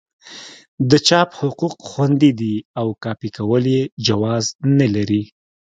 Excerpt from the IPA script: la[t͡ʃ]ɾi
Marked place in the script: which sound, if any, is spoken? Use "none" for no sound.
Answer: none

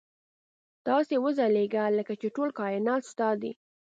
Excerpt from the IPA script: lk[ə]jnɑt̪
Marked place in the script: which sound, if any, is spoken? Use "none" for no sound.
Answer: ɑ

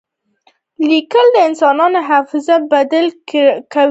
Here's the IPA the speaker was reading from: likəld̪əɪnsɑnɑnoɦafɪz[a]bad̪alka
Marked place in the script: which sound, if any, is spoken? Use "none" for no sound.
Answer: a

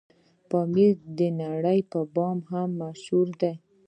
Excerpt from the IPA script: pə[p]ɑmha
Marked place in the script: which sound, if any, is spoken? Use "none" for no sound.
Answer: b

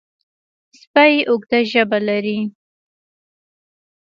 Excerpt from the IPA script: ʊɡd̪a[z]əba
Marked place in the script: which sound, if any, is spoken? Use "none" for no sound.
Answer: ʒ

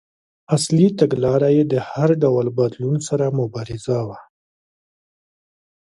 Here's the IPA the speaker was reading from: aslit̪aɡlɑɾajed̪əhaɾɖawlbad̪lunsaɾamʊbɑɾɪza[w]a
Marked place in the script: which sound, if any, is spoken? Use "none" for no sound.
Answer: w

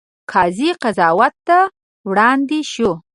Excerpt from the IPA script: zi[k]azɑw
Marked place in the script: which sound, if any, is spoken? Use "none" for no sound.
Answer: q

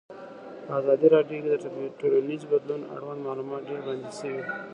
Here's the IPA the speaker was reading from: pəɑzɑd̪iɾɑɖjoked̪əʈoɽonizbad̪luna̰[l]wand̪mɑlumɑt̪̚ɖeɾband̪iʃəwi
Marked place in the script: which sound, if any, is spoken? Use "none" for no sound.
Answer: ɽ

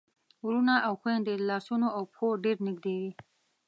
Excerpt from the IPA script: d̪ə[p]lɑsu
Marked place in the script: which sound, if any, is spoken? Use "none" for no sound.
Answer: none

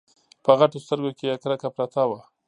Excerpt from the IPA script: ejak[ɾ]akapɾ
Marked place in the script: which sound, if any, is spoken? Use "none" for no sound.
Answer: ɾ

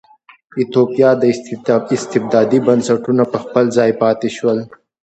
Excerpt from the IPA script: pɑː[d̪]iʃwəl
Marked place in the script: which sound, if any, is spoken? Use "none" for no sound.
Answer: t̪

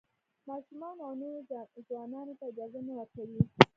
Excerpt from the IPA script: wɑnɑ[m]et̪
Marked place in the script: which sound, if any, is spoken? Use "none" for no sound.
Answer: n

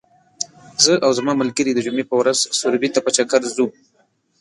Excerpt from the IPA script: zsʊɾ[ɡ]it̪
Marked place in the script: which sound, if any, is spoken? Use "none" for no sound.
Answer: b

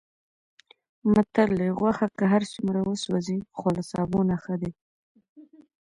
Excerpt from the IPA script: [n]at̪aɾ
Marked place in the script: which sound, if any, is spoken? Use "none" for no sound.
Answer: m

